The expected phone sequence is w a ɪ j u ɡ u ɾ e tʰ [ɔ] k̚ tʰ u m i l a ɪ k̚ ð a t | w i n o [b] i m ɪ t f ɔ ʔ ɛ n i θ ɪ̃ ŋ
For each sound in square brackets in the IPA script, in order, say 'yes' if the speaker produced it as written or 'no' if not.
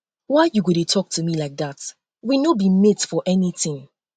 yes, yes

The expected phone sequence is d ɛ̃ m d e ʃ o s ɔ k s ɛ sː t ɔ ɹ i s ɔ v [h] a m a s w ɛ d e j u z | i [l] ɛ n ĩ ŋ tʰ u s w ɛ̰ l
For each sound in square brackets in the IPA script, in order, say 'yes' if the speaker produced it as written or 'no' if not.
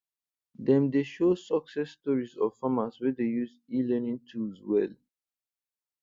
no, yes

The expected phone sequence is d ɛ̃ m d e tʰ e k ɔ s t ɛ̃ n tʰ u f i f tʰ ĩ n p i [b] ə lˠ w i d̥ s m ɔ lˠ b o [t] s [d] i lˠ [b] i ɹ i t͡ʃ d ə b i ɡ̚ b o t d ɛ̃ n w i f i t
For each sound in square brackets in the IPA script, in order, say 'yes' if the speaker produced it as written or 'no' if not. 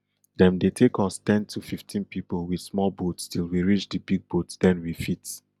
no, yes, no, no

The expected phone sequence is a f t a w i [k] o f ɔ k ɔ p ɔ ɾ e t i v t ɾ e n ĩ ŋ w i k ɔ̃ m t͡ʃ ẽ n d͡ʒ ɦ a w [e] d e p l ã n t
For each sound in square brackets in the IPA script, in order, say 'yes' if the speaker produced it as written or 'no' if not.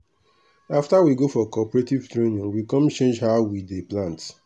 no, no

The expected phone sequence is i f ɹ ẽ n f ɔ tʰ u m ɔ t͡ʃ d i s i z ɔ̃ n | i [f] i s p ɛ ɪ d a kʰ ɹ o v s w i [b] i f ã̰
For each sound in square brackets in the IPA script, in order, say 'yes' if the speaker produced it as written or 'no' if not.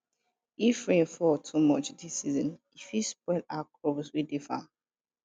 yes, no

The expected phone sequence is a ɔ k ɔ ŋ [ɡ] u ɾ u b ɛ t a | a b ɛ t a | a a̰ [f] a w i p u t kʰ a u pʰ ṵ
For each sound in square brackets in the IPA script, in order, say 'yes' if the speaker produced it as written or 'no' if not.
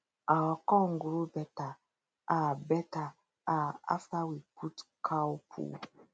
yes, yes

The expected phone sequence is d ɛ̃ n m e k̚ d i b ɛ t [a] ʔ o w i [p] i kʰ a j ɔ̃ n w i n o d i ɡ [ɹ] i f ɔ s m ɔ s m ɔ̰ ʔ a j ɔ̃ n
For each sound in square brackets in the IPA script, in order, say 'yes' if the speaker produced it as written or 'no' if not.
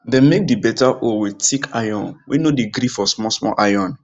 yes, no, no

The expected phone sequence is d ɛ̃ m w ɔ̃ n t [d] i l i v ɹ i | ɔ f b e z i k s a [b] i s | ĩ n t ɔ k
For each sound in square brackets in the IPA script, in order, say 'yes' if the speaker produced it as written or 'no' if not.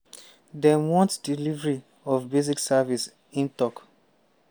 yes, no

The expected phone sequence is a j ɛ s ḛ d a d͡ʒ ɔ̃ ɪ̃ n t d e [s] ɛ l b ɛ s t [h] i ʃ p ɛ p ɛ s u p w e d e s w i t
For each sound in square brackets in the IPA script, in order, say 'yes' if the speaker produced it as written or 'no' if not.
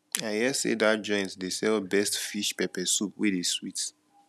yes, no

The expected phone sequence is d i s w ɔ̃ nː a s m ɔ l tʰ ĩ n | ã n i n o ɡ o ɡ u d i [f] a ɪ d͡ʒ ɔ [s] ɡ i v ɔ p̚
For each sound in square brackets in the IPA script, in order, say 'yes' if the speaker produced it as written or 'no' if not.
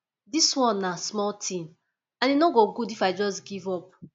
yes, yes

